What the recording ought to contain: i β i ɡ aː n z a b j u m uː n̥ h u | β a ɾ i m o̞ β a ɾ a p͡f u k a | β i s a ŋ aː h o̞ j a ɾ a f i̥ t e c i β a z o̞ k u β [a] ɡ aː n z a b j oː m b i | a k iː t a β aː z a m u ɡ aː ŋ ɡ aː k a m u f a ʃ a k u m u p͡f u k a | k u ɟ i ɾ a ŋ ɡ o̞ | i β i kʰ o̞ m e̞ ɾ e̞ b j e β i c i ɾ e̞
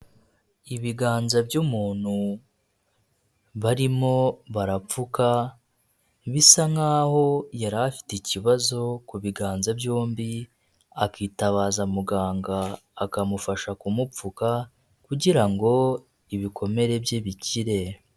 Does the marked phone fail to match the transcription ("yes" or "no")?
yes